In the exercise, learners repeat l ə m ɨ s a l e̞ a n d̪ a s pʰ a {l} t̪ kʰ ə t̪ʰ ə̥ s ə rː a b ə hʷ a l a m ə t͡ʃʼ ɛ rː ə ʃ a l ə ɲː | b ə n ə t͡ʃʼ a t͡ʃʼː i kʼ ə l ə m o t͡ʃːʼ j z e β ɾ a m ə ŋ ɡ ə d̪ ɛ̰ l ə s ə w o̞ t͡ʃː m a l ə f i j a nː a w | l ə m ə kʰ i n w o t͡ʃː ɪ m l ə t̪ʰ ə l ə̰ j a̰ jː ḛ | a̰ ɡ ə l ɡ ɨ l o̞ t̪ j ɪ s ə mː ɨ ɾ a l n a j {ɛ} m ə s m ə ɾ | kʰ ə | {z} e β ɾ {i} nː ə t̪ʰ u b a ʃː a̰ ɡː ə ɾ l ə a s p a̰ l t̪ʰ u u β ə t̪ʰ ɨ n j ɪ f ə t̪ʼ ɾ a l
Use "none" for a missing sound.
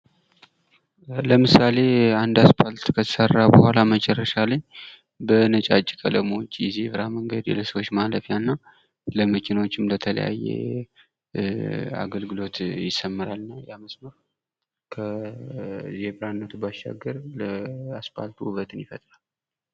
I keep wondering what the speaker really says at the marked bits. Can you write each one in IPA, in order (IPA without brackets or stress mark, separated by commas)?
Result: l, a, z, a